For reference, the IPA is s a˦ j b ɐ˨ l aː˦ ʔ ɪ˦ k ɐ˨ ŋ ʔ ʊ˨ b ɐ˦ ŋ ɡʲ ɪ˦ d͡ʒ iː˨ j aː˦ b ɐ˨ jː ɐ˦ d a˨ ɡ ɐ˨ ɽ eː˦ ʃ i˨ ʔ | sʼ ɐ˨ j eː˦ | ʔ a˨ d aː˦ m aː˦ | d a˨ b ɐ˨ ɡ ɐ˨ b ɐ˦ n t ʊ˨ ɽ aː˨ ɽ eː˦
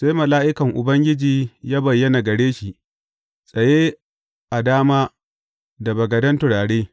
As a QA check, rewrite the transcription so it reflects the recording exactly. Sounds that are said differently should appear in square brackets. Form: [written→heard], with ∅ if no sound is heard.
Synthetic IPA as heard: s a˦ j [b→m] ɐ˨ l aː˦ ʔ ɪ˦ k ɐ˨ ŋ ʔ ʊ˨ b ɐ˦ ŋ ɡʲ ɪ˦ d͡ʒ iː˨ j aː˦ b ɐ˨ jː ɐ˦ [d→n] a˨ ɡ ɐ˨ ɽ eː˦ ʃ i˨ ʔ | sʼ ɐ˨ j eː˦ | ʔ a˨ d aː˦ m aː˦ | d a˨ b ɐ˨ ɡ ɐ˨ [b→d] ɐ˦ n t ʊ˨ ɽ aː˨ ɽ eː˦